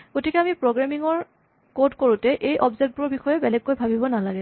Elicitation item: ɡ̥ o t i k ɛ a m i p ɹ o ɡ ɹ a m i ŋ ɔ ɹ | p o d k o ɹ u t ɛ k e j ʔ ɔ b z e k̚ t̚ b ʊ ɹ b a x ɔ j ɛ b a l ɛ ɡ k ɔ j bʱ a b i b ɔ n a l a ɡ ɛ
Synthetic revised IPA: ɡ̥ o t i k ɛ a m i p ɹ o ɡ ɹ a m i ŋ ɔ ɹ | k o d k o ɹ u t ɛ ʔ e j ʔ ɔ b z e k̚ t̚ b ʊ ɹ b i x ɔ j ɛ b ɛ l ɛ ɡ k o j bʱ a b i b ɔ n a l a ɡ ɛ